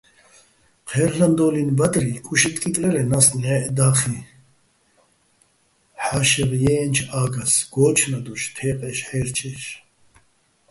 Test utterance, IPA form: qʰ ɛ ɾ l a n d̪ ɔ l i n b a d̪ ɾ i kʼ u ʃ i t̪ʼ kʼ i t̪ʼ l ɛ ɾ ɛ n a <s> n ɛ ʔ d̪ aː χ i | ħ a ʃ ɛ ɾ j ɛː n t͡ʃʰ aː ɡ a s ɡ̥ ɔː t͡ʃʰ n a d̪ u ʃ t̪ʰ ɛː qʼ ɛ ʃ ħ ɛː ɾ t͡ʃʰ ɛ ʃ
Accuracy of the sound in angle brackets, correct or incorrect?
correct